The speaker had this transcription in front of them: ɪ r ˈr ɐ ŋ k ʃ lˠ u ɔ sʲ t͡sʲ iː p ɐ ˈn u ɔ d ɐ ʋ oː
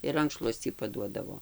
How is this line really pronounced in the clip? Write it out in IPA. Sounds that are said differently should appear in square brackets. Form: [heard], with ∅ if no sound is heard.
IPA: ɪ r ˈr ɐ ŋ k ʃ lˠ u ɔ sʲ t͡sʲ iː p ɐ [ˈd] u ɔ d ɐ ʋ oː